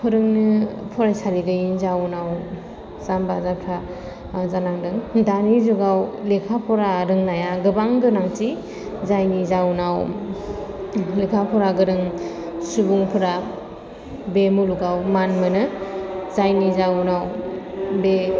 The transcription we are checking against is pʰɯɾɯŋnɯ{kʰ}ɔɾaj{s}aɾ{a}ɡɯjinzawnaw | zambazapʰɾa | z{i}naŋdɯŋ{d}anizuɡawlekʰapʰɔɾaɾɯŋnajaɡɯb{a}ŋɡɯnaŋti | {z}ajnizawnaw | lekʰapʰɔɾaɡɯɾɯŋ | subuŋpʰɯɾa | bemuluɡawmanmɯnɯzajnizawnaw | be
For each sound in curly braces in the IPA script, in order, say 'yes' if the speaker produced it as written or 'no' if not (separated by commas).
no, yes, no, no, yes, yes, yes